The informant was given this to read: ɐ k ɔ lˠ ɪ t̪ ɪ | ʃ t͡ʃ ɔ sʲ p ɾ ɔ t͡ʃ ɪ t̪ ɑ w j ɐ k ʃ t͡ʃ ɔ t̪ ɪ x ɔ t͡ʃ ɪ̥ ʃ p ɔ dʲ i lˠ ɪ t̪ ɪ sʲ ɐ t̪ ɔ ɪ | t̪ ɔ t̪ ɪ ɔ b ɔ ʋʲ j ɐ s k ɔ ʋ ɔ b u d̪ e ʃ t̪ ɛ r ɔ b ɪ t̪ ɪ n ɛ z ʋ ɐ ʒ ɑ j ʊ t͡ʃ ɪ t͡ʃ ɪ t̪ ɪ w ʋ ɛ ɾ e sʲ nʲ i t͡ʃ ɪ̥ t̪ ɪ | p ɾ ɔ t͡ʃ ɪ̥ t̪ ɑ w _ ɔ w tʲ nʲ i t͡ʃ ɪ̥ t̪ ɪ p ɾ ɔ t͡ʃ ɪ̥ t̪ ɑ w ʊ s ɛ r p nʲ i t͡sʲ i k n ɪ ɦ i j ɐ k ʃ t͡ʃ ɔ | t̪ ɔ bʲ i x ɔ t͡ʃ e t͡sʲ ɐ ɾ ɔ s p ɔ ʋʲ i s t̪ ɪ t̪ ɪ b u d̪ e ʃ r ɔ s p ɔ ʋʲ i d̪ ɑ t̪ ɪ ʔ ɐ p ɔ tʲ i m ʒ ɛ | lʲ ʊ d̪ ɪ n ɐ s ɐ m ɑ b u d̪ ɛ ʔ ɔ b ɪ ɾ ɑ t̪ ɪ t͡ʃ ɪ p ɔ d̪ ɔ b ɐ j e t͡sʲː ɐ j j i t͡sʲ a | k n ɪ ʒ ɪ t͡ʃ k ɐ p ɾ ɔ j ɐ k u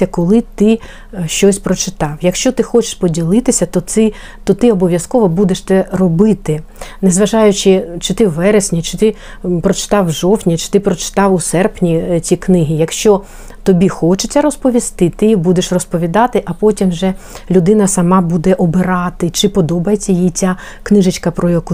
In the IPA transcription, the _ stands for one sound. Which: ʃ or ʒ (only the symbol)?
ʒ